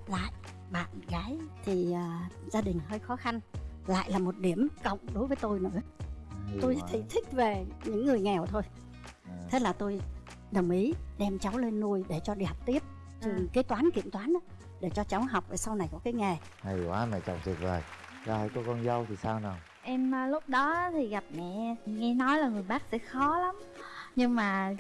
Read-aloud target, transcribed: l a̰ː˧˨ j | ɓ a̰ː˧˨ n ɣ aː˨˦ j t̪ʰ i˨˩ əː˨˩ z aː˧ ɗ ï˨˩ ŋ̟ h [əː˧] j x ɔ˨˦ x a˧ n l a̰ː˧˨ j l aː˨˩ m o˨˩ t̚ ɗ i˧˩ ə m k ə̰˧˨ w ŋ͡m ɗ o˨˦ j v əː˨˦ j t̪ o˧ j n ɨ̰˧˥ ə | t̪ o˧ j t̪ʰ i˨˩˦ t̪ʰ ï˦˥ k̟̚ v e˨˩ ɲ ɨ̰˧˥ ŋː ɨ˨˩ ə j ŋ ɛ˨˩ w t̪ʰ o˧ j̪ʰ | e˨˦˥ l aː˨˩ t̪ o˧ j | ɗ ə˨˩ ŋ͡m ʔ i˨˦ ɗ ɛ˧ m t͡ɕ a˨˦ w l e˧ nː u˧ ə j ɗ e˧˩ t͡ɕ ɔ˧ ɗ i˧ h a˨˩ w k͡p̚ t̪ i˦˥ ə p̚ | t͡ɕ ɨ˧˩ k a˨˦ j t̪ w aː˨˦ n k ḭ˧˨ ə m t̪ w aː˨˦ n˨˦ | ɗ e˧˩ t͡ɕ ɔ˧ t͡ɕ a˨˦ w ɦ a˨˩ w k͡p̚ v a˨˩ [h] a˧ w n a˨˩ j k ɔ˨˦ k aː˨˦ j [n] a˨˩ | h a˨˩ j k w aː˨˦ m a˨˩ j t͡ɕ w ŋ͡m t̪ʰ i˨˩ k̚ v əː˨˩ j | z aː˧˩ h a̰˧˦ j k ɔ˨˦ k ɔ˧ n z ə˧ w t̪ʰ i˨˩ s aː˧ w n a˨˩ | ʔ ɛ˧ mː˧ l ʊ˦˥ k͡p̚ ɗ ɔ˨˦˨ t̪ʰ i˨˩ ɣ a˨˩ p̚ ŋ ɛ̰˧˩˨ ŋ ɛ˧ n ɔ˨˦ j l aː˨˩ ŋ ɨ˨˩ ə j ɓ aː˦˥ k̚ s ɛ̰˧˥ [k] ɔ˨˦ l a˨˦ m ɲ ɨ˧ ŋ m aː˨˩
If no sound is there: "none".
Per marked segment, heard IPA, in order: əː˧, s, ŋ, x

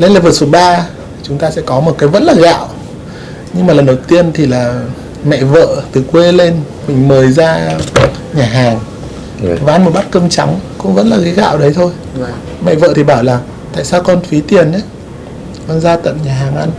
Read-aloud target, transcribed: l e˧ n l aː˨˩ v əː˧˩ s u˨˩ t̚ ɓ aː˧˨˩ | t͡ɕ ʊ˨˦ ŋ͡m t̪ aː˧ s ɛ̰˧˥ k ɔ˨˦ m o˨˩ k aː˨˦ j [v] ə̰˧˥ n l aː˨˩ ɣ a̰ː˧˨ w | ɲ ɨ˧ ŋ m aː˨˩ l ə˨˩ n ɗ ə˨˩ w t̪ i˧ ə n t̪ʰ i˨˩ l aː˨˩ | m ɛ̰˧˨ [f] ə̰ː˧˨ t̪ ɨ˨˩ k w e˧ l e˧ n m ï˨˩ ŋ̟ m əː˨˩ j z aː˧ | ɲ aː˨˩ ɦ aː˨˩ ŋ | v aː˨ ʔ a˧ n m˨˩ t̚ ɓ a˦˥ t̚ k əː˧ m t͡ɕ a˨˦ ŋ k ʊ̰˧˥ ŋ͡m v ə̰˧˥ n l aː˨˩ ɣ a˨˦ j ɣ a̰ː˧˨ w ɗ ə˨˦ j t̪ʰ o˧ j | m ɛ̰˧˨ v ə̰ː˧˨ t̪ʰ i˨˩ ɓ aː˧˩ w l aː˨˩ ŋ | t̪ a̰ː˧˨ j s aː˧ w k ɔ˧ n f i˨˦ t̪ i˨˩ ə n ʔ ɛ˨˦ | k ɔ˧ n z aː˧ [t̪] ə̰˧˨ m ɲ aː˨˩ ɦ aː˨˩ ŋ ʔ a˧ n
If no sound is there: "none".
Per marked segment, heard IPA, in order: v, v, t̪

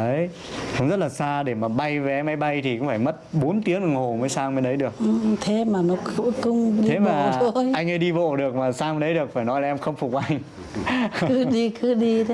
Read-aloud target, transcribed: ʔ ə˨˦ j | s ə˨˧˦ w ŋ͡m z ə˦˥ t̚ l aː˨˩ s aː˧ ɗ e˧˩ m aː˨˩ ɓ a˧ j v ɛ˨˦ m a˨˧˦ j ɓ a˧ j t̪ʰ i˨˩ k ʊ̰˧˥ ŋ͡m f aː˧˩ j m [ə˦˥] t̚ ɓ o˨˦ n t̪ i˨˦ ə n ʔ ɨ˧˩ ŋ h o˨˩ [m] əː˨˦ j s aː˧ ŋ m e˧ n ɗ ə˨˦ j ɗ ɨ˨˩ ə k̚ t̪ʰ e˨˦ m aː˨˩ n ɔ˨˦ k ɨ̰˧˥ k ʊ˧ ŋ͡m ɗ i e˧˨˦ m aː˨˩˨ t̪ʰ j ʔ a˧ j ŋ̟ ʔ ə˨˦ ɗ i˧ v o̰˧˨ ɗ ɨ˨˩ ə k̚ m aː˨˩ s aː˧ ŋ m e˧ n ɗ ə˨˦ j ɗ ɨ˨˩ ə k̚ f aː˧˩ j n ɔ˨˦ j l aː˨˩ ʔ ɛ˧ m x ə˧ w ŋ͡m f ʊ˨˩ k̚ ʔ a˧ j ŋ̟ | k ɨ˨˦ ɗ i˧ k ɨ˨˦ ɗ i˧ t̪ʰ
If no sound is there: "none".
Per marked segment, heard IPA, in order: ə˦˥, m

